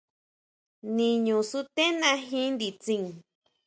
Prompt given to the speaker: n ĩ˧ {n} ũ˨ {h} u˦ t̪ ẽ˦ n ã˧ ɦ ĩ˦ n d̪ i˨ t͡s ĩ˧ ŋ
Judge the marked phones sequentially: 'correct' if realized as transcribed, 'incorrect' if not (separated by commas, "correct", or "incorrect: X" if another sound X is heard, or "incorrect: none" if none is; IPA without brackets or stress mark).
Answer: incorrect: ɲ, incorrect: s